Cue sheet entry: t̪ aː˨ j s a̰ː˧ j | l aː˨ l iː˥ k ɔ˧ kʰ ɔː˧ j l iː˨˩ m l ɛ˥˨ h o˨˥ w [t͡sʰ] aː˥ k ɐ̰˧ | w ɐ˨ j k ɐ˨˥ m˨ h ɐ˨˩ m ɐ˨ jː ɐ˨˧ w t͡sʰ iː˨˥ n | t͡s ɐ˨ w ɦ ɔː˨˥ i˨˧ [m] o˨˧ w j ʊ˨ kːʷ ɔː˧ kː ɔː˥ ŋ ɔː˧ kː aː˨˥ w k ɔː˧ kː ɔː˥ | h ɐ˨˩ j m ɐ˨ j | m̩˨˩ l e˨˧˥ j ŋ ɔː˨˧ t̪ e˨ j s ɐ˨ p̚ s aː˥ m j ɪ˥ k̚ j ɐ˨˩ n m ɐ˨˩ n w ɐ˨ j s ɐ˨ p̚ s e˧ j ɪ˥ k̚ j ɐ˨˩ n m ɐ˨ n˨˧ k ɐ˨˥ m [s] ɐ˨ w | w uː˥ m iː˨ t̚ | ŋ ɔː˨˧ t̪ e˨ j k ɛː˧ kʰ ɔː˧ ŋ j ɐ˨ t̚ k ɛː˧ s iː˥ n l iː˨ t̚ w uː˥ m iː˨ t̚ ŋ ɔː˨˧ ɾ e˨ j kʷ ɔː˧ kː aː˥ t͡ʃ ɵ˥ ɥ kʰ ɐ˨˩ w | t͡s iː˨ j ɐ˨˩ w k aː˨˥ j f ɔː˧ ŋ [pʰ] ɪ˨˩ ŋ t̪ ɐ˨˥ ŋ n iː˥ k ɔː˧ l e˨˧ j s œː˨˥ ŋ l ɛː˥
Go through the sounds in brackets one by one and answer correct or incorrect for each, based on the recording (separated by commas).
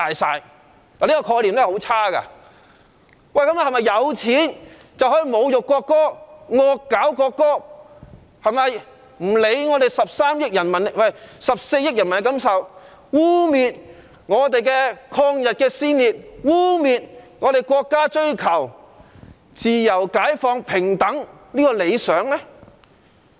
correct, correct, correct, correct